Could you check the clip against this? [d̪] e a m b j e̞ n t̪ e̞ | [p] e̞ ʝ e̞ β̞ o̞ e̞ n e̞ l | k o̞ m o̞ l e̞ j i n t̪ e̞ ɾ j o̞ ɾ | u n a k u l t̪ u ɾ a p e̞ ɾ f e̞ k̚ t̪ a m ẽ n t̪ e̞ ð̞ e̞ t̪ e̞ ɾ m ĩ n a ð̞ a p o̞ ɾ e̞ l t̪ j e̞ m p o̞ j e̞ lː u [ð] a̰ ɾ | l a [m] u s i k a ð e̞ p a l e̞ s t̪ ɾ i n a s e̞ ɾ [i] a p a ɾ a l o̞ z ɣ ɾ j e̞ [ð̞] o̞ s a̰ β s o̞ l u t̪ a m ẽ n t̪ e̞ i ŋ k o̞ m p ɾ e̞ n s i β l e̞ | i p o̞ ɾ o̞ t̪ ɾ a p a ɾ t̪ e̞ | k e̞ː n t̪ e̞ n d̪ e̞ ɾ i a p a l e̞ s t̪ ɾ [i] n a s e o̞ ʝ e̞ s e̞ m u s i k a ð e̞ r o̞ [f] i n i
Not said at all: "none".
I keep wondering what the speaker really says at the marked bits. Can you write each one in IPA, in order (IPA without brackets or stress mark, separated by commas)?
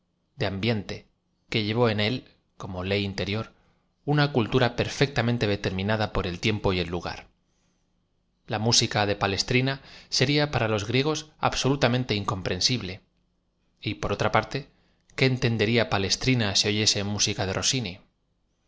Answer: d̪, k, ɣ, m, i, ɣ̞, i, s